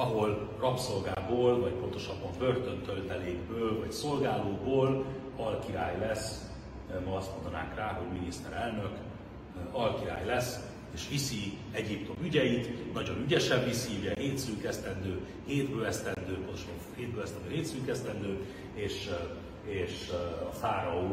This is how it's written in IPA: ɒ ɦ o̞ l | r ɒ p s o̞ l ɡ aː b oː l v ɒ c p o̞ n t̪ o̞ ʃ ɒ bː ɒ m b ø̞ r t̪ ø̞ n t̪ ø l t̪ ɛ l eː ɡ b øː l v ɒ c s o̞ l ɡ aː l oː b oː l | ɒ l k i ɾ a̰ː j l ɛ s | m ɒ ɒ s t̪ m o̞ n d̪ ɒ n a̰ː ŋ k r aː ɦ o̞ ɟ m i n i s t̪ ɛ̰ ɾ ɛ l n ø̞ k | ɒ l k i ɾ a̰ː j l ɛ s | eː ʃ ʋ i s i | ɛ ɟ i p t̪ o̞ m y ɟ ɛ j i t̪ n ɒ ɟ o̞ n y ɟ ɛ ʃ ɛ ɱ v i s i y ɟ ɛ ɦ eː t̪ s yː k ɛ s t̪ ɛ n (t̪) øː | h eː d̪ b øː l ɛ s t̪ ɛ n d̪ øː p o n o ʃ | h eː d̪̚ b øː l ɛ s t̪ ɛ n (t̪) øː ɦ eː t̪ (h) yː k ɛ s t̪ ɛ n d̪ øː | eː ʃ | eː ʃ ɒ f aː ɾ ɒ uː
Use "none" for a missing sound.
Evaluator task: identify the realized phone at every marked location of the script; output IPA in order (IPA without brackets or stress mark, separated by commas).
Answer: d̪, d̪, s